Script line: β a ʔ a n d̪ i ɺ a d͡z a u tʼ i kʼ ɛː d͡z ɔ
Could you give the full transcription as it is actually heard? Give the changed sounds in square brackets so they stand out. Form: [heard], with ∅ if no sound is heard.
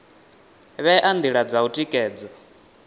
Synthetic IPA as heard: β [ɛ] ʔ a n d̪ i ɺ a d͡z a u tʼ i kʼ ɛː d͡z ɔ